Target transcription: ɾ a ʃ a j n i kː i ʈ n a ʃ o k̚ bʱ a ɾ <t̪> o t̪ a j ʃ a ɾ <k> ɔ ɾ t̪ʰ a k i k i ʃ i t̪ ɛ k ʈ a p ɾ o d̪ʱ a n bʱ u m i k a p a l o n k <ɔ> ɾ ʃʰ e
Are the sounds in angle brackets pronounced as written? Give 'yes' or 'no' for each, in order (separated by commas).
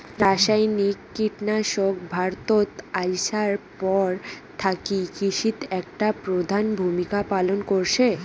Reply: yes, no, no